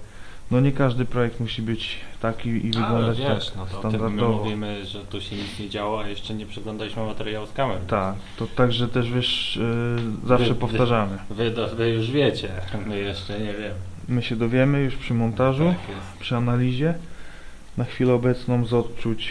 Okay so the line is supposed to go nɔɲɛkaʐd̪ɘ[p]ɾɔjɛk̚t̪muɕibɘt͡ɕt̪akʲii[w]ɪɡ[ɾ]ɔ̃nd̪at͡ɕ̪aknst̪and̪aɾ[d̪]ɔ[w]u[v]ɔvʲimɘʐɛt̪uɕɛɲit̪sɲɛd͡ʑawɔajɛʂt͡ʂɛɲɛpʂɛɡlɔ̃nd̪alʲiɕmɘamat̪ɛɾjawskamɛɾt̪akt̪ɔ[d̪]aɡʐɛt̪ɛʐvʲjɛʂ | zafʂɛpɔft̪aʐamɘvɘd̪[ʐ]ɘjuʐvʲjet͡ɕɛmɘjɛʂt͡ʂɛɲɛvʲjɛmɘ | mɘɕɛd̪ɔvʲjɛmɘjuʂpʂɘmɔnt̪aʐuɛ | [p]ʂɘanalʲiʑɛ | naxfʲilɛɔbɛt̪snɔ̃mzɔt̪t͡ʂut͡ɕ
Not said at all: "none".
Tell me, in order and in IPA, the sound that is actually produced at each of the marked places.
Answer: p, v, l, d̪, v, v, t̪, v, p

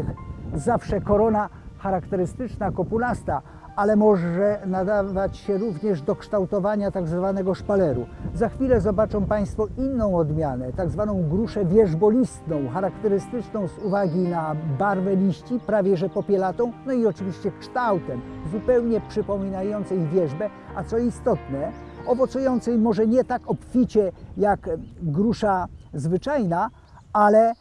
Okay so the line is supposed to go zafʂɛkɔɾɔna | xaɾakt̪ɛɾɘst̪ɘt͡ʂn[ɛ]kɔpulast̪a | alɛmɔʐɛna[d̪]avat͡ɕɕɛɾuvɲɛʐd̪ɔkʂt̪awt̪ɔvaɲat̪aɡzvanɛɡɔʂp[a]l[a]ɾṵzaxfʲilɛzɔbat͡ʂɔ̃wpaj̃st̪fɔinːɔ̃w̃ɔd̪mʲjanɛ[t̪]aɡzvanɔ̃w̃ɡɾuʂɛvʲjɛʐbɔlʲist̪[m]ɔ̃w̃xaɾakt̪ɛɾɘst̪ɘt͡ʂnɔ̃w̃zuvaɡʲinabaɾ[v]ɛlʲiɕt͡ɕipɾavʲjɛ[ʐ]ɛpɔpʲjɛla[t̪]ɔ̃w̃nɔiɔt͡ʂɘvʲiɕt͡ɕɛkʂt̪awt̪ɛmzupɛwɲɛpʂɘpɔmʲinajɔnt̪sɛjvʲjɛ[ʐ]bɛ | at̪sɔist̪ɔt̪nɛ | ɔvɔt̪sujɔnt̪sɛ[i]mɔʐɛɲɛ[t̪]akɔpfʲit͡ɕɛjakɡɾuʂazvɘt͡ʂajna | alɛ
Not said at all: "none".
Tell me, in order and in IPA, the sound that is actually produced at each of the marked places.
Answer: a, d̪, a, ɛ, t̪, n, v, ʐ, t̪, ʐ, j, t̪

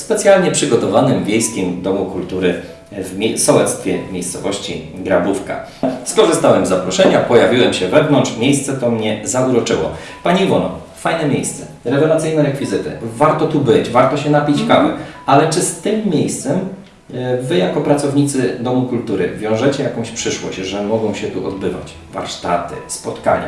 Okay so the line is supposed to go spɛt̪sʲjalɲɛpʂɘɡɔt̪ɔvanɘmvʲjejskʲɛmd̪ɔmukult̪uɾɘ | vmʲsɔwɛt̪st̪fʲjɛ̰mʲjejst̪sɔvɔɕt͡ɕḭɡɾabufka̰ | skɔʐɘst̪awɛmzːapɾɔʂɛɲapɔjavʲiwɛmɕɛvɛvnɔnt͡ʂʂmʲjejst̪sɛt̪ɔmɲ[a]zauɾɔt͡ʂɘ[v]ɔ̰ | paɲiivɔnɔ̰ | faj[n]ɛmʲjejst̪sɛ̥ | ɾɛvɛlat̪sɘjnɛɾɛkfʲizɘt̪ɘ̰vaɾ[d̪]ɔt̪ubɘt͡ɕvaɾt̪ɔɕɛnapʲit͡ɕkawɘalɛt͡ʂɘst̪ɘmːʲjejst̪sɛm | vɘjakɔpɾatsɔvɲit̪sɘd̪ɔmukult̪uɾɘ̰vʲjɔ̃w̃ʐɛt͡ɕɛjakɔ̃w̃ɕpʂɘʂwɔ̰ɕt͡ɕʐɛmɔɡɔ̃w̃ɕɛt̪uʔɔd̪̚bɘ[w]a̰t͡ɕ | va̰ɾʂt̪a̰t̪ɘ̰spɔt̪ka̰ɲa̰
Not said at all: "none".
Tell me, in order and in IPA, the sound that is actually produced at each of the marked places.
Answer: ɛ, w, n, t̪, v

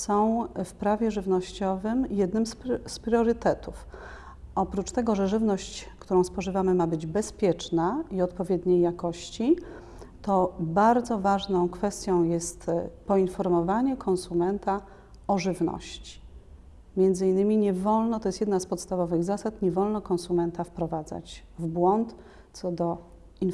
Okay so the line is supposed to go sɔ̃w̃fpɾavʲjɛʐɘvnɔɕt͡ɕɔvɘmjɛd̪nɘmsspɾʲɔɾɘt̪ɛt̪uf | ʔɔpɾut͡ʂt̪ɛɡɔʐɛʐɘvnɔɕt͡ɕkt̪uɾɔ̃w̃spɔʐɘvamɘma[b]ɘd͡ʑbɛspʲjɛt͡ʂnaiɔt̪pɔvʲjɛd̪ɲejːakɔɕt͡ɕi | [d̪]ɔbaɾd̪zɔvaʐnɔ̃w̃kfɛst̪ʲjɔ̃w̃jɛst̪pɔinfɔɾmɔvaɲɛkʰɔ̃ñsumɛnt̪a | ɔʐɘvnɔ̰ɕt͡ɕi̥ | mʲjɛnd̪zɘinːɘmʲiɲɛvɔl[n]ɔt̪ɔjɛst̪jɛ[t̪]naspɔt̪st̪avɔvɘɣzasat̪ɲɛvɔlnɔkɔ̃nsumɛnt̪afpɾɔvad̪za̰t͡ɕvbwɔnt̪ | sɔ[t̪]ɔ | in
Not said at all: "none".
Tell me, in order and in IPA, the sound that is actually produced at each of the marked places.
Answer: b, t̪, n, d̪, d̪

